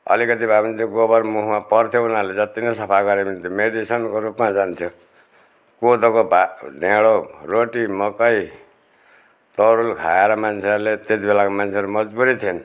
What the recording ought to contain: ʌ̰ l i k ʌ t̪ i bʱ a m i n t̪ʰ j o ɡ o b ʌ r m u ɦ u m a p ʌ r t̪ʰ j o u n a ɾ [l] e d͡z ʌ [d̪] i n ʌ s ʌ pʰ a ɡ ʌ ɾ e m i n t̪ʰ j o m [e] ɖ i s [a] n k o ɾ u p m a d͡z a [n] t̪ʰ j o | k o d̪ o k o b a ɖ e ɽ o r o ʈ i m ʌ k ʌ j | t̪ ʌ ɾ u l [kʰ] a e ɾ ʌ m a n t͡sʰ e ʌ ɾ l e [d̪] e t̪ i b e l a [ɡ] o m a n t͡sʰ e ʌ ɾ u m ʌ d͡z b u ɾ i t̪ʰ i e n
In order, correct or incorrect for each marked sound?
correct, incorrect, correct, incorrect, correct, correct, incorrect, incorrect

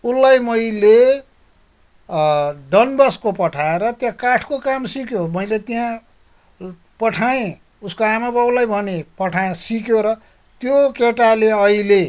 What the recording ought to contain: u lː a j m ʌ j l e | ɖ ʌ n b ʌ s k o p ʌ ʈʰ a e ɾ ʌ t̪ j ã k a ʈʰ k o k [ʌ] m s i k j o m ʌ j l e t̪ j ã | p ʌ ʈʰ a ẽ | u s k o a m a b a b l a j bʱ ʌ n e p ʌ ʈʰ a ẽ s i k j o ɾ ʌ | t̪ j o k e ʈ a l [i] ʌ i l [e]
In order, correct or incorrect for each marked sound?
incorrect, incorrect, correct

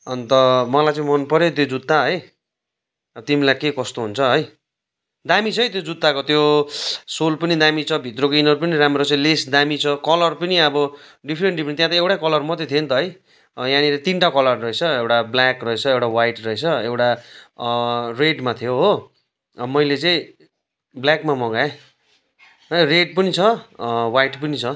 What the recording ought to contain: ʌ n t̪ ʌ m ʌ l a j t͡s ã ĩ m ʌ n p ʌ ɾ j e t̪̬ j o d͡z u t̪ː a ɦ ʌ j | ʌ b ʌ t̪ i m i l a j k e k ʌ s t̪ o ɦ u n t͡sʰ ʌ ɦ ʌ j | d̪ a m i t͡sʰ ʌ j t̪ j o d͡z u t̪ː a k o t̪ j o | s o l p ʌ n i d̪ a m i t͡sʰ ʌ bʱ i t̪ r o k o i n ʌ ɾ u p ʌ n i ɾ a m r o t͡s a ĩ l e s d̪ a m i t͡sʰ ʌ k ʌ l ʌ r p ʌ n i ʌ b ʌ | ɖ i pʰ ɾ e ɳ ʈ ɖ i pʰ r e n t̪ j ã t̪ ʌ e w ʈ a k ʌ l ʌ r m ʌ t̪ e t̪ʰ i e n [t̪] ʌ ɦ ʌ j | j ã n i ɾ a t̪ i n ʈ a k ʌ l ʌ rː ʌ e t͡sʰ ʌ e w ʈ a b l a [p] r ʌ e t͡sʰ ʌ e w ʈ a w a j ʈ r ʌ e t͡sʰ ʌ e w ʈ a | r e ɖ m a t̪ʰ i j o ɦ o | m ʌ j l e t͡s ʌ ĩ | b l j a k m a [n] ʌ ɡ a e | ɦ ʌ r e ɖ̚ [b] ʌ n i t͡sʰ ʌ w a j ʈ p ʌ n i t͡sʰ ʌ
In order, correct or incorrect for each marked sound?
correct, incorrect, incorrect, incorrect

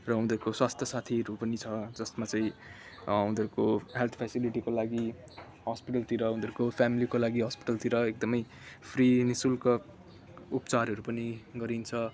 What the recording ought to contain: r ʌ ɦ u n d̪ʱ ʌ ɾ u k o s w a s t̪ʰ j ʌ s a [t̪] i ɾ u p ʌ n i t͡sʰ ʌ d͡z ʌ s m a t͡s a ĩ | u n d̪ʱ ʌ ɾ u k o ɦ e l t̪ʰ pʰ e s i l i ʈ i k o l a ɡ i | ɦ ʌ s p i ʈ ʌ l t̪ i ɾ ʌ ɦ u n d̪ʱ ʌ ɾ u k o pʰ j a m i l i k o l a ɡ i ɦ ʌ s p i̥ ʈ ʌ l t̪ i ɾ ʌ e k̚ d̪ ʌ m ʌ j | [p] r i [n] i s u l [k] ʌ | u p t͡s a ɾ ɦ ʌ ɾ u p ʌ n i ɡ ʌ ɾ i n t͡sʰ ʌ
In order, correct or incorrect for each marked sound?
incorrect, incorrect, correct, correct

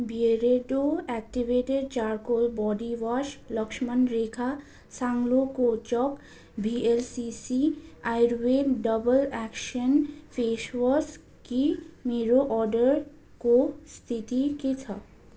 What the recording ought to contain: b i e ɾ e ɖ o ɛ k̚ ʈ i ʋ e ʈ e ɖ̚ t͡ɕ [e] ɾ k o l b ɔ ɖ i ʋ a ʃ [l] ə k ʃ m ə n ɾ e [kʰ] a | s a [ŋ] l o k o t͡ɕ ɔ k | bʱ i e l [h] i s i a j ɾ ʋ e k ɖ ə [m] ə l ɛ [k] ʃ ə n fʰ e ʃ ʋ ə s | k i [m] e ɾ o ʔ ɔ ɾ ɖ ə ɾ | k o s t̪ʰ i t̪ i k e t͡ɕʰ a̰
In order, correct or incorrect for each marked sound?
incorrect, correct, correct, correct, incorrect, incorrect, correct, correct

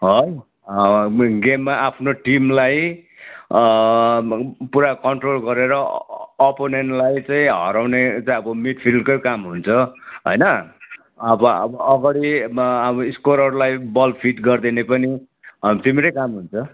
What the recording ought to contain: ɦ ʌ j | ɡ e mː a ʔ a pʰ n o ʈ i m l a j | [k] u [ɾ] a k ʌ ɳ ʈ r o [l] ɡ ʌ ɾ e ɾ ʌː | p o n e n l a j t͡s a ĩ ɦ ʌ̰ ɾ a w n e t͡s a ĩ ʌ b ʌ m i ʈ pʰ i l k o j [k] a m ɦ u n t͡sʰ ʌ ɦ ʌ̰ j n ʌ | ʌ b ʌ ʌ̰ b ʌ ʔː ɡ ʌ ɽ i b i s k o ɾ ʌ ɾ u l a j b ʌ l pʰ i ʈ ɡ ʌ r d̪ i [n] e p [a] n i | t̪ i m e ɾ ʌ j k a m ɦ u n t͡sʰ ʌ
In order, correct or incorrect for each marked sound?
incorrect, correct, correct, correct, correct, incorrect

